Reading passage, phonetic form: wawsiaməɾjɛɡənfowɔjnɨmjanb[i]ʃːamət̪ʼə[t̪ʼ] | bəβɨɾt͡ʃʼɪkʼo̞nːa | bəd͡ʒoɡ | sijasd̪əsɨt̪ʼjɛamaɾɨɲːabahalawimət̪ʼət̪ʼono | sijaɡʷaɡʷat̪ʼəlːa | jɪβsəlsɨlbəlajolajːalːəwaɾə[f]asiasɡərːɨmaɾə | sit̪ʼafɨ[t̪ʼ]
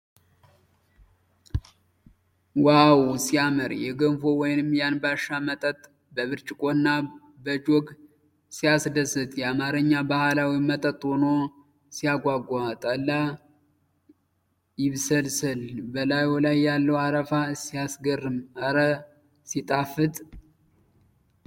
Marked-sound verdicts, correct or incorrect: incorrect: a, correct, correct, correct

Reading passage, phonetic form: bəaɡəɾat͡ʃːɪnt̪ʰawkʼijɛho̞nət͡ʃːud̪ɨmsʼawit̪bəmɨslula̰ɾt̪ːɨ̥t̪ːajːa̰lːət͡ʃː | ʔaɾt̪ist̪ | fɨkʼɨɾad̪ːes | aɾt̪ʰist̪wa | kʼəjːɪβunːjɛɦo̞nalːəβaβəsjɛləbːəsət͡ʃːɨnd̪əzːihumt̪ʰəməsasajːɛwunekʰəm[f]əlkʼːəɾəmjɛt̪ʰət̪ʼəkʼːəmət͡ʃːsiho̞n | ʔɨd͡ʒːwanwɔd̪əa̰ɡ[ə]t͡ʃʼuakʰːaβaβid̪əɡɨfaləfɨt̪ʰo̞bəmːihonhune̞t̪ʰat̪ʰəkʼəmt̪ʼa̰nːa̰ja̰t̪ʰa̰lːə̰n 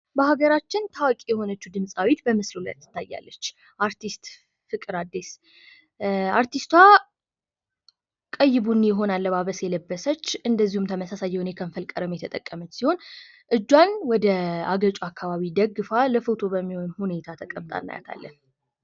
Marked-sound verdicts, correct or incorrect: correct, correct

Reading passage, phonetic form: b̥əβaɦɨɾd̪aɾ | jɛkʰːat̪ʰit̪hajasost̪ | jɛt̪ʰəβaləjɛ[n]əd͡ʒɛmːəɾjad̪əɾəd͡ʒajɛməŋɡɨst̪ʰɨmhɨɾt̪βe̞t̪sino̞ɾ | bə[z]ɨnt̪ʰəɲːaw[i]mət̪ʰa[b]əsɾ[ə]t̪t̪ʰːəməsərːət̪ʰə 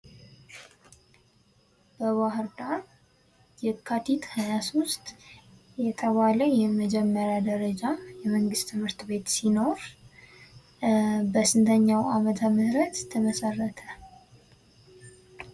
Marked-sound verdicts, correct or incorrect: incorrect: m, incorrect: s, incorrect: a, incorrect: m, correct

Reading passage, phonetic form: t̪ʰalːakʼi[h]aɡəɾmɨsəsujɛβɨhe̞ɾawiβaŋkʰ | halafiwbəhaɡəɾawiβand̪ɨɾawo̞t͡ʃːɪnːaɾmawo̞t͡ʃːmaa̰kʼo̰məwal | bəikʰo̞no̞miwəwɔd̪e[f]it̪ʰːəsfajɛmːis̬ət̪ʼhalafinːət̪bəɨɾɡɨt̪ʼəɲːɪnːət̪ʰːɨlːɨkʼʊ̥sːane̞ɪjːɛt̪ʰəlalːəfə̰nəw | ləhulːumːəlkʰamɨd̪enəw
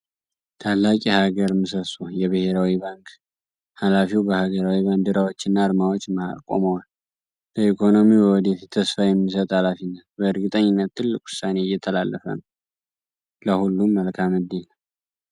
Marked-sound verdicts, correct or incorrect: correct, correct

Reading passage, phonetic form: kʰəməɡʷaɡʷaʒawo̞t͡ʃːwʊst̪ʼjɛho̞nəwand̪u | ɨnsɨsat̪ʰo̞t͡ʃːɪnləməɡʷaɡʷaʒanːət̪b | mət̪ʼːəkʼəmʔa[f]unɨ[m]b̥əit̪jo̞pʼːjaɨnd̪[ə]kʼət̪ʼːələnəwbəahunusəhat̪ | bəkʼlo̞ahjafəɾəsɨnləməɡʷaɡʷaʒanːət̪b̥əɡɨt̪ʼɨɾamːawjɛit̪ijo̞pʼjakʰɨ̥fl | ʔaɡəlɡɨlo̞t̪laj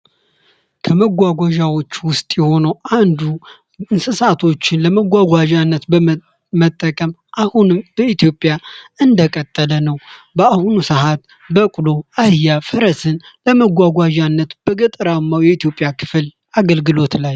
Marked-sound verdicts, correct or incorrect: incorrect: h, correct, correct

